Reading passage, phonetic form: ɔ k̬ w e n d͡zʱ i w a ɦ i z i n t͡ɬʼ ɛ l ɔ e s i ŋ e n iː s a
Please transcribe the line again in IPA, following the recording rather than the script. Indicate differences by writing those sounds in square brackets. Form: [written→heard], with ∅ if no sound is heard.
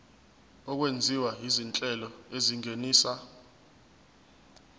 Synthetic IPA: ɔ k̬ w e n d͡zʱ i w a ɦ i z i n t͡ɬʼ ɛ l ɔ e [s→z] i ŋ e n iː s a